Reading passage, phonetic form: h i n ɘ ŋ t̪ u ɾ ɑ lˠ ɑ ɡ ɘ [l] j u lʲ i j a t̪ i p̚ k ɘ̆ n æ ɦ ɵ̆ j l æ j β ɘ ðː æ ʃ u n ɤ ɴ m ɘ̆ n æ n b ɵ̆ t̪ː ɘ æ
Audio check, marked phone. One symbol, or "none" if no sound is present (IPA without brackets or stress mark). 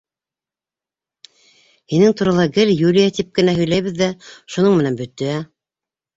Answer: l